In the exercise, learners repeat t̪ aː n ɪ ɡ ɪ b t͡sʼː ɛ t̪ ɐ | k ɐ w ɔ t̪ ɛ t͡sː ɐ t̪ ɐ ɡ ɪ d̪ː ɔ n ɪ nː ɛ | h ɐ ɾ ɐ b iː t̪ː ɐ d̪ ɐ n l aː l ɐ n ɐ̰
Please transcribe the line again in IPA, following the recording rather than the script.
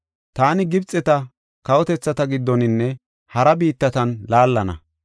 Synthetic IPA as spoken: t̪ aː n ɪ ɡ ɪ b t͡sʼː ɛ t̪ ɐ | k ɐ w ɔ t̪ ɛ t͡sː ɐ t̪ ɐ ɡ ɪ d̪ː ɔ n ɪ nː ɛ | h ɐ ɾ ɐ b iː t̪ː ɐ t̪ ɐ n l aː lː ɐ n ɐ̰